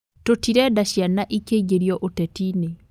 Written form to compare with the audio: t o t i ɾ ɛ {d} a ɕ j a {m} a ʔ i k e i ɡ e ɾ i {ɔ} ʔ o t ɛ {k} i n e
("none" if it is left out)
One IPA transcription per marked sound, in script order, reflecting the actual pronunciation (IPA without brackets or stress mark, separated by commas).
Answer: d, n, ɔ, t